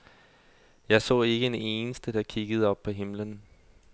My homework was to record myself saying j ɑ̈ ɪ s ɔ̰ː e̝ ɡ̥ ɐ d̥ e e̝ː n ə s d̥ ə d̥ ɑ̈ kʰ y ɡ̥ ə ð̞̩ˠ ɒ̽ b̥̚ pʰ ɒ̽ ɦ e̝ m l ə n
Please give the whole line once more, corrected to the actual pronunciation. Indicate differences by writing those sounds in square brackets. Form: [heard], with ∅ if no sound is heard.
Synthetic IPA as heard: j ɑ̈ ɪ s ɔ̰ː e̝ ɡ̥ [ə] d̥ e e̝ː n ə s d̥ ə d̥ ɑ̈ kʰ [i] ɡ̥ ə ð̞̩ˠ ɒ̽ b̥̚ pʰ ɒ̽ ɦ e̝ m l ə n